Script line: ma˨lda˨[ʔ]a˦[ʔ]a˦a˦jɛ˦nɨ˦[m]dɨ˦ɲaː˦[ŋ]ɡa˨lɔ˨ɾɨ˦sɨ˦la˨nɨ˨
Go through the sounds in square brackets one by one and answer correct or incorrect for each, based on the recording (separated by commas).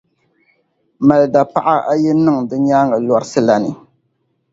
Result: incorrect, correct, incorrect, correct